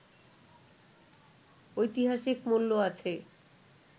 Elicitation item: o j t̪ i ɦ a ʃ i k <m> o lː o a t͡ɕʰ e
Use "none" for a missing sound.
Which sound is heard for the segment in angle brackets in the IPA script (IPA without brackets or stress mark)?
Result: m